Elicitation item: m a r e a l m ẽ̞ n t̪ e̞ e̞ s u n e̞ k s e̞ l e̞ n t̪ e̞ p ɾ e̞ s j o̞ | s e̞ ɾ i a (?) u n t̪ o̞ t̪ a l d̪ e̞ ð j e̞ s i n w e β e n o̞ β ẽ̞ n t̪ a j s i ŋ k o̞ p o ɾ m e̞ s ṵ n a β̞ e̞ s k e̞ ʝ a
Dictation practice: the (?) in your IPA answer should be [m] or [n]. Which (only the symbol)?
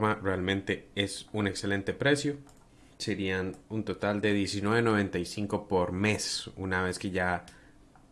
n